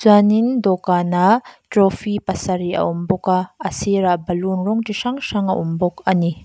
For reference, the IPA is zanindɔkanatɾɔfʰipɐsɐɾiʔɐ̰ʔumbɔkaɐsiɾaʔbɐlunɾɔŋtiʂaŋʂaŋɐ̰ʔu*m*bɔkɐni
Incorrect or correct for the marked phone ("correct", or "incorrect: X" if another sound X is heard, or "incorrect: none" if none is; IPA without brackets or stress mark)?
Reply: correct